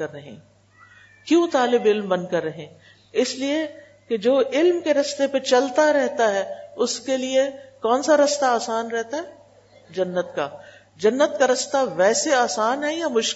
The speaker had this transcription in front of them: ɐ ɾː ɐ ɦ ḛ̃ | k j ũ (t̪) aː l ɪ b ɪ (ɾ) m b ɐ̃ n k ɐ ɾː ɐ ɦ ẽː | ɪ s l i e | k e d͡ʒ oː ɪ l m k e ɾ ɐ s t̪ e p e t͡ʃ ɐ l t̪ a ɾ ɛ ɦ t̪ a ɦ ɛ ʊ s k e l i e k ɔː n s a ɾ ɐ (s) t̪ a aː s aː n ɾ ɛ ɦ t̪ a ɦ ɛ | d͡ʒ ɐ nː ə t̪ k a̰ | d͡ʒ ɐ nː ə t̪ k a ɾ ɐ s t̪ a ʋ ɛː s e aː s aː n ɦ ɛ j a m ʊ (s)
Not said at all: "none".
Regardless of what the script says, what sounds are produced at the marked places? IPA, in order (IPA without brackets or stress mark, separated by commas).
t̪, l, s, ʃ